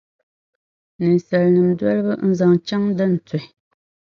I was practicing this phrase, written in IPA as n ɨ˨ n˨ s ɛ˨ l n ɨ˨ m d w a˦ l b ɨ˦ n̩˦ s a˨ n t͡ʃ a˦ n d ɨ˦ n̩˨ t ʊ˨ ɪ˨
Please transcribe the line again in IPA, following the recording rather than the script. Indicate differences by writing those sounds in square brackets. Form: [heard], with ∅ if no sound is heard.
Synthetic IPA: n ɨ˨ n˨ s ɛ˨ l n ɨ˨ m d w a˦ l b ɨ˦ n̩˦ [z] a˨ [ŋ] t͡ʃ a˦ [ŋ] d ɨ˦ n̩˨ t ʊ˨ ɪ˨